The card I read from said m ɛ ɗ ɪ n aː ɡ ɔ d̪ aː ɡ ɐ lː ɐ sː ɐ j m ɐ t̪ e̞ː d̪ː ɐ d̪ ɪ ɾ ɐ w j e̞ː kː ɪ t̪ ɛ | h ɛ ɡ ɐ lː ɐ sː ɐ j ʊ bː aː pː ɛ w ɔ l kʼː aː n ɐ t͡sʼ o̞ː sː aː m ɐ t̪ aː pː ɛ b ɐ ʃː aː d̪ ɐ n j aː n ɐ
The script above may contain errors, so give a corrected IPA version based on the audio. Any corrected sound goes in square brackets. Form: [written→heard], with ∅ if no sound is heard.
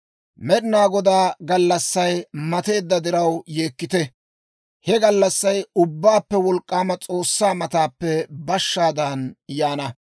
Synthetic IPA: m ɛ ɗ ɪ n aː ɡ ɔ d̪ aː ɡ ɐ lː ɐ sː ɐ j m ɐ t̪ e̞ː d̪ː ɐ d̪ ɪ ɾ ɐ w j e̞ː kː ɪ t̪ ɛ | h ɛ ɡ ɐ lː ɐ sː ɐ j ʊ bː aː pː ɛ w ɔ l kʼː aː [n→m] ɐ t͡sʼ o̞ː sː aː m ɐ t̪ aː pː ɛ b ɐ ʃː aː d̪ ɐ n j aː n ɐ